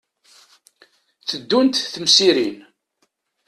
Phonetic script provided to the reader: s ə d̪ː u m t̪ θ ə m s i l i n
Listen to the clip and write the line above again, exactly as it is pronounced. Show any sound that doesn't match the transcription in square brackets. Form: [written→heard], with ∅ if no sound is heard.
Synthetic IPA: [s→θ] ə d̪ː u [m→n] t̪ θ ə m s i [l→ɾ] i n